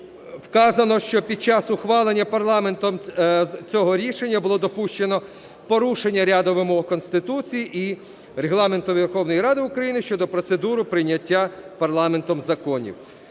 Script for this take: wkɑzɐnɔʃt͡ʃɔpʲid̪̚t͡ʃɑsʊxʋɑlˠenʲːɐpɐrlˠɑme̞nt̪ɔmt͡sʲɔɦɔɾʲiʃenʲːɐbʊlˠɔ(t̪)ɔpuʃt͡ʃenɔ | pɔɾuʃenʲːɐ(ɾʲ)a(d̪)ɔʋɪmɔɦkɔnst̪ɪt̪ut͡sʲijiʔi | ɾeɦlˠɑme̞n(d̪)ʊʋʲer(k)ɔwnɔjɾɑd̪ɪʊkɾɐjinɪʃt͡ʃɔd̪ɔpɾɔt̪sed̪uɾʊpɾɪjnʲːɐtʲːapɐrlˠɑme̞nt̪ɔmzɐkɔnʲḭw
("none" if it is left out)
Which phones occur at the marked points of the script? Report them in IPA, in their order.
d̪, ɾʲ, d̪, t̪, x

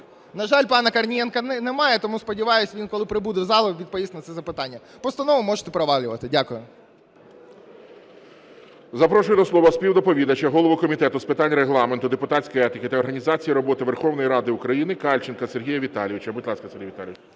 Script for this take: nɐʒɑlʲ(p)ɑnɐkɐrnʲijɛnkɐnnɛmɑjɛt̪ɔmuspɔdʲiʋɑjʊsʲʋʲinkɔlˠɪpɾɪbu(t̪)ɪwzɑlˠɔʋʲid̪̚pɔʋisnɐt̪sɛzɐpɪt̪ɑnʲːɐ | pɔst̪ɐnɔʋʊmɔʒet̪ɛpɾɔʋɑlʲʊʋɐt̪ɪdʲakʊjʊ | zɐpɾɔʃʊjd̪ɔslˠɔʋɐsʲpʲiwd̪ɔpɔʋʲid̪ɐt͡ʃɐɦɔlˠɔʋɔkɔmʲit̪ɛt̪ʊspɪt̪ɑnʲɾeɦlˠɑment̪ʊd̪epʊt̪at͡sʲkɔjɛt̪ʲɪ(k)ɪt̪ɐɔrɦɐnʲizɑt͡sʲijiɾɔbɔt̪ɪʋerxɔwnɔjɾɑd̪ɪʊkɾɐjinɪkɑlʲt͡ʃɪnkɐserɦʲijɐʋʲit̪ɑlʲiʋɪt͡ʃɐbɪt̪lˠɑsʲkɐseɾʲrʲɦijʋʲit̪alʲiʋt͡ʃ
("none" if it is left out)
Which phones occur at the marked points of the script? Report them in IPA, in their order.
p, d̪, k

